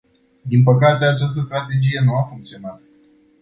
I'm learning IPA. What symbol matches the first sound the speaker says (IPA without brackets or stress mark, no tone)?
d̪